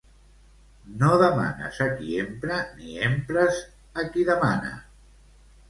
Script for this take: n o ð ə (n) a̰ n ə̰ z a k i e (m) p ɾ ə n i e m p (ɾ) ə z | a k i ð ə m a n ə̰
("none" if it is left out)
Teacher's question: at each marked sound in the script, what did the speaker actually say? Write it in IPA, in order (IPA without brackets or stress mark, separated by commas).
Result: m, m, ɾ